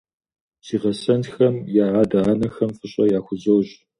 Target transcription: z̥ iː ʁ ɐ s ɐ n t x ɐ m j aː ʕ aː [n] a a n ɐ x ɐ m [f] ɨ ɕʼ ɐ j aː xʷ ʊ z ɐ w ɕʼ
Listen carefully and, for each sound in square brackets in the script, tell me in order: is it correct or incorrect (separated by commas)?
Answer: incorrect, correct